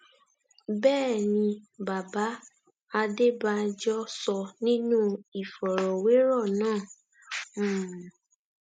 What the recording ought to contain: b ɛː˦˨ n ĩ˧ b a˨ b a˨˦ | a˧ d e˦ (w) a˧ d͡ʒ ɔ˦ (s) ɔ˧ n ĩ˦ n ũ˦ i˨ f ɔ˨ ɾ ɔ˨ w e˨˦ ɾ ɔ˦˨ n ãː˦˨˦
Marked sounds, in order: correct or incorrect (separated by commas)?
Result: incorrect, correct